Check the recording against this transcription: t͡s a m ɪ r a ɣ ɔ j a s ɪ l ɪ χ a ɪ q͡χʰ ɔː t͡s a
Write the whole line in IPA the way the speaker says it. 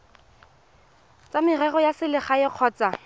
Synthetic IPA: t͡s a m ɪ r ɛ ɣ ɔ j a s ɪ l ɪ χ a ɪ q͡χʰ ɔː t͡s a

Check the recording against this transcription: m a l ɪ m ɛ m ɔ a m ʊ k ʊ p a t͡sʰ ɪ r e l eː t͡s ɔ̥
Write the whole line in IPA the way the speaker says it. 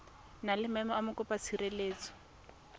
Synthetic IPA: n a l ɪ m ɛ m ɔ a m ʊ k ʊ p a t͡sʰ i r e l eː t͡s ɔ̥

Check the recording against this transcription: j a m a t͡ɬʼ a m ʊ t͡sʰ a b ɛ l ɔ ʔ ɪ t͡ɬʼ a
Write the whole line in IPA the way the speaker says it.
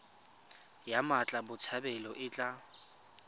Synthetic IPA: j a m a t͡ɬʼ a b ʊ t͡sʰ a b ɛ l ɔ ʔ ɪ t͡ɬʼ a

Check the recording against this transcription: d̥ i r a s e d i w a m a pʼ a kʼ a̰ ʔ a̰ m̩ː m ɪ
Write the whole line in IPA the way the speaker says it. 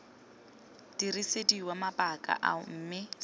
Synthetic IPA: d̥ i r i s e d i w a m a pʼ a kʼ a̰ ʔ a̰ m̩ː m ɪ

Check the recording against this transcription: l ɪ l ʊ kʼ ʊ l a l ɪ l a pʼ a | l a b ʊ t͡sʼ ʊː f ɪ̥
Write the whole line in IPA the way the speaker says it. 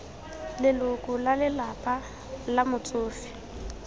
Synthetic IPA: l ɪ l ʊ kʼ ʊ l a l ɪ l a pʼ a | l a m ʊ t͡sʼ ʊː f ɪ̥

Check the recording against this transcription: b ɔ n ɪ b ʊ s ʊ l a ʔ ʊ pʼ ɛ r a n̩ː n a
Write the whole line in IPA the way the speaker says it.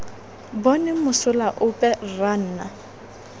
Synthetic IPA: b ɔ n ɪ m ʊ s ʊ l a ʔ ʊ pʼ ɛ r a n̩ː n a

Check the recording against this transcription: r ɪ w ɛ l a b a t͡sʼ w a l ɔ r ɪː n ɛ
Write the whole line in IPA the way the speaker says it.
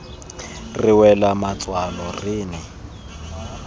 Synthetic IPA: r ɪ w ɛ l a m a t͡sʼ w a l ɔ r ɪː n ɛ

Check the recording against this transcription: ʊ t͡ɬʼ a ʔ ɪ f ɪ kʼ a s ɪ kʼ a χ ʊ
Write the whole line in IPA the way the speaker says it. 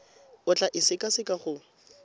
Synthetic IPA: ʊ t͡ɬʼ a ʔ ɪ s ɪ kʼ a s ɪ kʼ a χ ʊ

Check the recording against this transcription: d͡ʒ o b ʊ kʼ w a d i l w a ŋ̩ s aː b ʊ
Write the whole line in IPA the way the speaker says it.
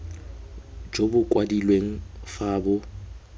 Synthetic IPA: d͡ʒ o b ʊ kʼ w a d i l w e ŋ̩ f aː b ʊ

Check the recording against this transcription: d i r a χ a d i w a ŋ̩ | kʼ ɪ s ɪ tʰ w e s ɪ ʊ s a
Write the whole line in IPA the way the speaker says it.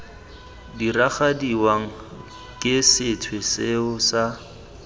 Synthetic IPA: d i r a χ a d i w a ŋ̩ | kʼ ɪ s ɪ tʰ w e s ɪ ʊ s a

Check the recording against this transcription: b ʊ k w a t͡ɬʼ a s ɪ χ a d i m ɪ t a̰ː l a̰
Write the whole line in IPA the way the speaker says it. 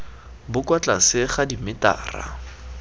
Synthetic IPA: b ʊ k w a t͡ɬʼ a s ɪ χ a d i m ɪ t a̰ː r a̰

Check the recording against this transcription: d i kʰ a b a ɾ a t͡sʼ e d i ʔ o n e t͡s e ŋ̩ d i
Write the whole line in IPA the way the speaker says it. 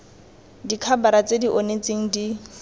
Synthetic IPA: d i kʰ a b a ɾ a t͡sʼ e d i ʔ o n e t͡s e ŋ̩ d i

